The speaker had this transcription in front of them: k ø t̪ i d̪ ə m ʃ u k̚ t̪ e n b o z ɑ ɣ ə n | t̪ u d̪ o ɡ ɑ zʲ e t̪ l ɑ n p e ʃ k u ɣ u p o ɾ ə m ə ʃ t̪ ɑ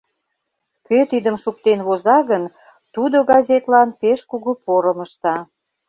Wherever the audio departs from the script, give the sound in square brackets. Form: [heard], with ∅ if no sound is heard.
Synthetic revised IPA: k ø t̪ i d̪ ə m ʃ u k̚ t̪ e n [β] o z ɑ ɣ ə n | t̪ u d̪ o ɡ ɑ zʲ e t̪ l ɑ n p e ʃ k u ɣ u p o ɾ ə m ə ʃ t̪ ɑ